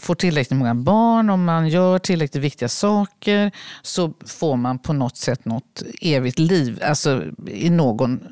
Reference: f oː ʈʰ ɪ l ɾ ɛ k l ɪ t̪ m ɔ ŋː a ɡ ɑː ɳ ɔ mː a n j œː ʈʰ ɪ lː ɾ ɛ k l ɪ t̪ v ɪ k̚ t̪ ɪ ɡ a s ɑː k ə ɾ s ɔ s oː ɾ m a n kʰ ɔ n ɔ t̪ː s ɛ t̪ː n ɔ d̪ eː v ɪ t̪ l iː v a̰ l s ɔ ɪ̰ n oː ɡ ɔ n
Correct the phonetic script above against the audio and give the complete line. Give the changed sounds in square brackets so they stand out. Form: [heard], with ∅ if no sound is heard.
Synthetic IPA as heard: f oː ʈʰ ɪ l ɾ ɛ k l ɪ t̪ m ɔ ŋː a [b] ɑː ɳ ɔ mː a n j œː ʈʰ ɪ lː ɾ ɛ k l ɪ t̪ v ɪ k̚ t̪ ɪ ɡ a s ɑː k ə ɾ s ɔ [f] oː ɾ m a n [pʰ] ɔ n ɔ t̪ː s ɛ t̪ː n ɔ [t̪] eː v ɪ t̪ l iː v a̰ l s ɔ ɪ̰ n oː ɡ ɔ n